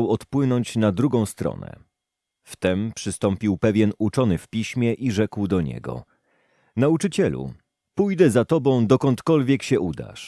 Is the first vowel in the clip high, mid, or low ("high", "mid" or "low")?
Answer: mid